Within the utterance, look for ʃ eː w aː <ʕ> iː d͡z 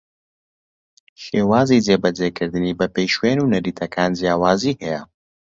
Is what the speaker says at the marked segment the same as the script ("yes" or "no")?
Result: no